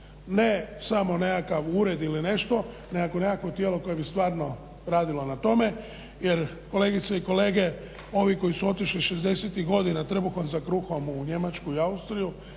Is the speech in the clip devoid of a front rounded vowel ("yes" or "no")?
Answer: yes